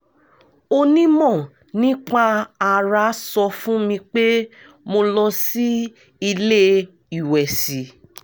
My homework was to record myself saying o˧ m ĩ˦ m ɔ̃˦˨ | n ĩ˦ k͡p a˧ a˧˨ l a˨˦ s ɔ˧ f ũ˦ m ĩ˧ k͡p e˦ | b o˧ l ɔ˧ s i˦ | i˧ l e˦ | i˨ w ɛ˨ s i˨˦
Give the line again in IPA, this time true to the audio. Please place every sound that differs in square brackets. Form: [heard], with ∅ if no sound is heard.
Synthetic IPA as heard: o˧ [n] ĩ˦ m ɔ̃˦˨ | n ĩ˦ k͡p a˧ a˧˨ [ɾ] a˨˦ s ɔ˧ f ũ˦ m ĩ˧ k͡p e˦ | [m] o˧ l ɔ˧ s i˦ | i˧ l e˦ | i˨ w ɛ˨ s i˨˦